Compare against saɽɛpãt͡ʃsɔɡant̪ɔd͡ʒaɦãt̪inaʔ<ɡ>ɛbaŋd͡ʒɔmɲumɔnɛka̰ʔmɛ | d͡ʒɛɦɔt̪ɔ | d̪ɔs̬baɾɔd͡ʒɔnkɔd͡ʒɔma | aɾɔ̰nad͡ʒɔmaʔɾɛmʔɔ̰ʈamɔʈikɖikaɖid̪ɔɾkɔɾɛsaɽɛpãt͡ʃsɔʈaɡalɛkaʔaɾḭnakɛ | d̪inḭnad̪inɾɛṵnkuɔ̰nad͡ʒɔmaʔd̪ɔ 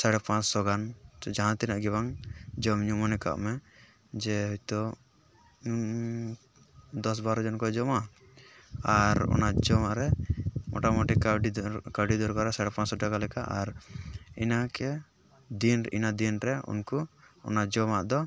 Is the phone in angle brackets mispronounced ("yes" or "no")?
no